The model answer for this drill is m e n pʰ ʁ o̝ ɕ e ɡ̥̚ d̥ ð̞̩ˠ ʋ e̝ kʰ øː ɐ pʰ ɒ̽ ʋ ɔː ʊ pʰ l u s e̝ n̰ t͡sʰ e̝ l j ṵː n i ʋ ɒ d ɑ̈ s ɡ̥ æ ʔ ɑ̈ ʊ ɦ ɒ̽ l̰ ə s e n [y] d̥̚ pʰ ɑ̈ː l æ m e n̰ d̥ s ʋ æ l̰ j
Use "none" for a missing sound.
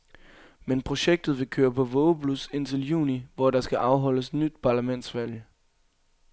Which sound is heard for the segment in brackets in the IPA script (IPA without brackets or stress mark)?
y